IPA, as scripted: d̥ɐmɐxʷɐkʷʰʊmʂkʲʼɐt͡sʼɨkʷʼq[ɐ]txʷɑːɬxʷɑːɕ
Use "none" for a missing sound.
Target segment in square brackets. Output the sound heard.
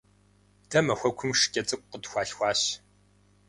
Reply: ə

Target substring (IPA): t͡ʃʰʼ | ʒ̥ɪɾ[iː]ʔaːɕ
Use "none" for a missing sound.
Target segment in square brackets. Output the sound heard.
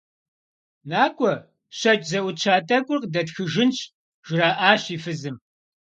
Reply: aː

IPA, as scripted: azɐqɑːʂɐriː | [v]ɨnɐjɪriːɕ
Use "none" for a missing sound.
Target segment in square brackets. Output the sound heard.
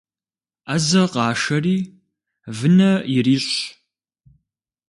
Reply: v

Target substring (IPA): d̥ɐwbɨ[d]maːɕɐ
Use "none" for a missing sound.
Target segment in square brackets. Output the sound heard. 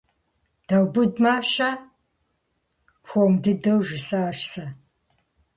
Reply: d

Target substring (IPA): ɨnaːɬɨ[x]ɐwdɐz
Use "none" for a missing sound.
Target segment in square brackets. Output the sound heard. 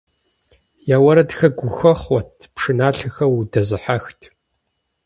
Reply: x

